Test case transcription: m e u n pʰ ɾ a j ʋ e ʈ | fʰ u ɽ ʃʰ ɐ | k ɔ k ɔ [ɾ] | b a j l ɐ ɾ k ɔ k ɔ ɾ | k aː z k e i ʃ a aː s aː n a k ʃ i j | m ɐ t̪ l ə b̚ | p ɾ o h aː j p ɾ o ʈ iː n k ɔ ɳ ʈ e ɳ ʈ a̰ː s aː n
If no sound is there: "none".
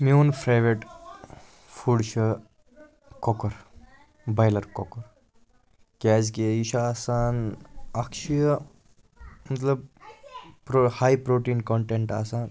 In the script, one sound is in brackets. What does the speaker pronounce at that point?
ɾ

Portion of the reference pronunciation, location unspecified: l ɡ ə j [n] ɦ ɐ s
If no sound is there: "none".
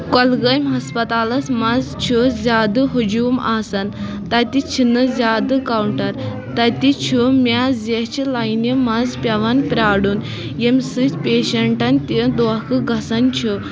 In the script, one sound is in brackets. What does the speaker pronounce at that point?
m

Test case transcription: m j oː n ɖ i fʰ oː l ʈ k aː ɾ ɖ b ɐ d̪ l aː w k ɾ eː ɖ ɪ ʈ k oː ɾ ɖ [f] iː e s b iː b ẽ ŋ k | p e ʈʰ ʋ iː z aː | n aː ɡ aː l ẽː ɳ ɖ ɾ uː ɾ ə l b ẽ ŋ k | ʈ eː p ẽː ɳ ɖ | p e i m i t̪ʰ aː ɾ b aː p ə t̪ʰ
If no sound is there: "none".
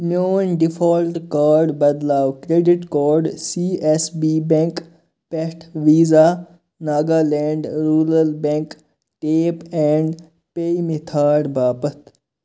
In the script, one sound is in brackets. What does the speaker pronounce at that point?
s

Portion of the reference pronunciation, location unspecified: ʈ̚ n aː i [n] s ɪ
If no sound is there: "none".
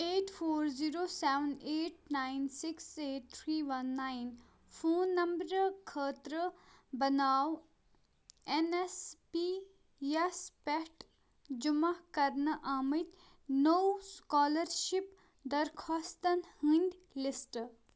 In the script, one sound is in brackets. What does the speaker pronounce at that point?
n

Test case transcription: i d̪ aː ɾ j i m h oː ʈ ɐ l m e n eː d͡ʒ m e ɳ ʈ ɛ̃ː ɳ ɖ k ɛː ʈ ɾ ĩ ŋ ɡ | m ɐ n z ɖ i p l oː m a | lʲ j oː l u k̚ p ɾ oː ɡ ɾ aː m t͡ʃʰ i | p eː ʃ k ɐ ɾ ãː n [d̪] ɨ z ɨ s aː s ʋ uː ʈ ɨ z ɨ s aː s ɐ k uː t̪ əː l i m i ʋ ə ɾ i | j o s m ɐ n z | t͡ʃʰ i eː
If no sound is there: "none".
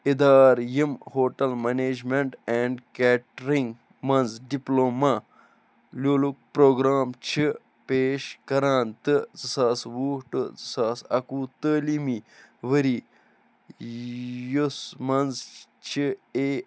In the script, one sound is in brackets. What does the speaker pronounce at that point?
t̪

